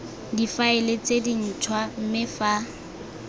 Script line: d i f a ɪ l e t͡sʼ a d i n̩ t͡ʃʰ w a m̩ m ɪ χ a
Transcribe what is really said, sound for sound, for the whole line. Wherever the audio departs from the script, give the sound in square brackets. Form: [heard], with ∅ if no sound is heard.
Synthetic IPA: d i f a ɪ l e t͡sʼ [e] d i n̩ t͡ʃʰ w a m̩ m ɪ [f] a